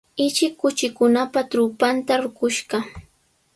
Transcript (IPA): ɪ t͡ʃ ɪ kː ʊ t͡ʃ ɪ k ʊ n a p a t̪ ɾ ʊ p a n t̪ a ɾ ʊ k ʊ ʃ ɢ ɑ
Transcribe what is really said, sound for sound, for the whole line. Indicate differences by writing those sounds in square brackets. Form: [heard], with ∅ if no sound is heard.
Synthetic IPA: ɪ t͡ʃ ɪ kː ʊ t͡ʃ ɪ k ʊ n a p a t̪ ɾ ʊ p a n t̪ a ɾ ʊ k ʊ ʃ ɢ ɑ